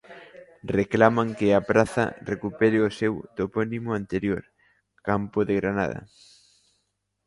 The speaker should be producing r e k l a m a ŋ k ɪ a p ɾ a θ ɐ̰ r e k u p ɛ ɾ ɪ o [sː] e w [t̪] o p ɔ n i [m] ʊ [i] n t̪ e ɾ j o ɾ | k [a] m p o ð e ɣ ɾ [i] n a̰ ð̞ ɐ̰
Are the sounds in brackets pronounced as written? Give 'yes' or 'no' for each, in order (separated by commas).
no, yes, yes, no, yes, no